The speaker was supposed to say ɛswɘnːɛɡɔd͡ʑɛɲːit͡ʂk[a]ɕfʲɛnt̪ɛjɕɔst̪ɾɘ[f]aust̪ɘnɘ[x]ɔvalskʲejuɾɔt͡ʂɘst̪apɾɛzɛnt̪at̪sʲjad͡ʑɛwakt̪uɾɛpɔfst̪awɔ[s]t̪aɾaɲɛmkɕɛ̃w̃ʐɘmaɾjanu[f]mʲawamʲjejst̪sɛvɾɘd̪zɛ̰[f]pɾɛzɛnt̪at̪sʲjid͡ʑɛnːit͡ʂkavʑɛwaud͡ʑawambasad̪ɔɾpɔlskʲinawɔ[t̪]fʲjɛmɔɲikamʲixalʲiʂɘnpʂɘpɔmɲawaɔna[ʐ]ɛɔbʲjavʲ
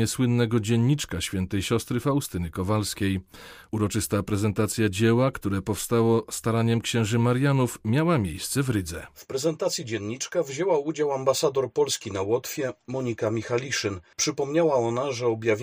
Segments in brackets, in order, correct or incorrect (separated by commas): correct, correct, incorrect, correct, correct, correct, correct, correct